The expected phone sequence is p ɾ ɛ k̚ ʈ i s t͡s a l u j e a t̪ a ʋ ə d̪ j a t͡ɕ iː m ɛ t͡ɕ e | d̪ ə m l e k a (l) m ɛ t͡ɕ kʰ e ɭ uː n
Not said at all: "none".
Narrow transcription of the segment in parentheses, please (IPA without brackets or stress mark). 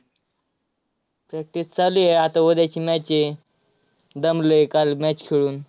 l